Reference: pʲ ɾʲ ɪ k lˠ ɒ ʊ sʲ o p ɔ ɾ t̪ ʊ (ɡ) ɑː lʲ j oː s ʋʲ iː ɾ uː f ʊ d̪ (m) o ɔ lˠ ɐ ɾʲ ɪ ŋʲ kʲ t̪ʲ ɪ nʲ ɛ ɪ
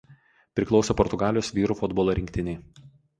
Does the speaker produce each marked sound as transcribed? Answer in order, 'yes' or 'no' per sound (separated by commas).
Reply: yes, no